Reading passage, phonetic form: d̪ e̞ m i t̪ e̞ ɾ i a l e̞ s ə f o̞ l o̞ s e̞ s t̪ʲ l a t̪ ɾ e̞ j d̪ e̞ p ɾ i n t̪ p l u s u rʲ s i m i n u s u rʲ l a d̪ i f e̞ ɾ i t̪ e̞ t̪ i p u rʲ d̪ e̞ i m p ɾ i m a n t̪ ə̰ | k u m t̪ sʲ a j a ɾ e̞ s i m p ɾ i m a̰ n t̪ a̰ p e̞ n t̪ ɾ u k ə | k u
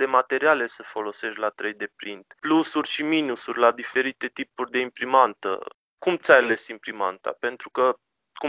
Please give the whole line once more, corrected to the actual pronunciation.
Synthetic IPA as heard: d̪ e̞ m a t̪ e̞ ɾ i a l e̞ s ə f o̞ l o̞ s e̞ ʃ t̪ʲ l a t̪ ɾ e̞ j d̪ e̞ p ɾ i n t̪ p l u s u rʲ ʃ i m i n u s u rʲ l a d̪ i f e̞ ɾ i t̪ e̞ t̪ i p u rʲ d̪ e̞ i m p ɾ i m a n t̪ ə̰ | k u m t̪ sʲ a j a l e̞ s i m p ɾ i m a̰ n t̪ a̰ p e̞ n t̪ ɾ u k ə | k u